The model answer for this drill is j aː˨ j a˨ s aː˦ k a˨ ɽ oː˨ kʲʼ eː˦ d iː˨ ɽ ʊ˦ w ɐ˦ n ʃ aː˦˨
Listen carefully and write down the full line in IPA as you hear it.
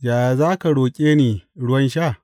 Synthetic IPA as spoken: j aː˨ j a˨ z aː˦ k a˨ ɽ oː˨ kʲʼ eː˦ n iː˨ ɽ ʊ˦ w ɐ˦ n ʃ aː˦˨